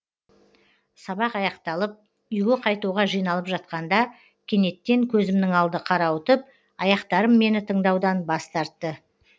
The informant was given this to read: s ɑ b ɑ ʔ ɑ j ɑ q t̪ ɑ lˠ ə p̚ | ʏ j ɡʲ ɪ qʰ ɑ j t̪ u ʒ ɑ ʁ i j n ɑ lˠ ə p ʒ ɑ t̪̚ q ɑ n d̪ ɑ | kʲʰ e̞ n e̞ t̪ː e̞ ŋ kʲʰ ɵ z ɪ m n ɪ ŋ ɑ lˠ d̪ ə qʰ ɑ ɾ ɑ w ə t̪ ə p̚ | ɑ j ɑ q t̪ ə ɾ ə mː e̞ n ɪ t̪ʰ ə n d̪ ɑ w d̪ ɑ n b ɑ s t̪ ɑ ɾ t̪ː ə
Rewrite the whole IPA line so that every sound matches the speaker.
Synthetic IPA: s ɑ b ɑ q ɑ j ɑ q t̪ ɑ lˠ ə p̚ | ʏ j ɡʲ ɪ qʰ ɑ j t̪ u ʁ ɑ ʒ i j n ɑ lˠ ə p ʒ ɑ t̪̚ q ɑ n d̪ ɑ | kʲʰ e̞ n e̞ t̪ː e̞ ŋ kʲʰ ɵ z ɪ m n ɪ ŋ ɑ lˠ d̪ ə qʰ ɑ ɾ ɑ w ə t̪ ə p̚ | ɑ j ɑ q t̪ ɑ ɾ ə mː e̞ n ɪ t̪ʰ ə ɴ d̪ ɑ w d̪ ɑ n b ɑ s t̪ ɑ ɾ t̪ː ə